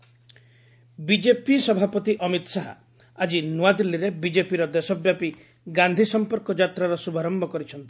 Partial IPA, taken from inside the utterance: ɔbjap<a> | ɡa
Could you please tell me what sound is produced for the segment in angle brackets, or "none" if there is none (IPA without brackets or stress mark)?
i